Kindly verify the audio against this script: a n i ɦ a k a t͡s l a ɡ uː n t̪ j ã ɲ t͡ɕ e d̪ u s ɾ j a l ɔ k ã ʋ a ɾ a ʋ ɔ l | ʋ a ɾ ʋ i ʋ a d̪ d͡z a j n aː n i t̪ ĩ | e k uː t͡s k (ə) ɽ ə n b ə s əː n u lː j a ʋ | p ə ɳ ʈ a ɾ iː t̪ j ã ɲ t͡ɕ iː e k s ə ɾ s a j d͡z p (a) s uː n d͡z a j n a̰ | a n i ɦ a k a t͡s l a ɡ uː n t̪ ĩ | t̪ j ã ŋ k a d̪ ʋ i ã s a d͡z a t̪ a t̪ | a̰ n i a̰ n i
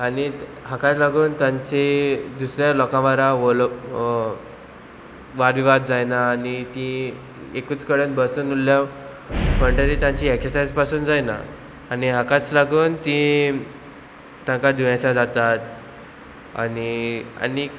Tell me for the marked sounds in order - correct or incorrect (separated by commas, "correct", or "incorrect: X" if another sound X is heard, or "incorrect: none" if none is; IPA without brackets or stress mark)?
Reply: correct, correct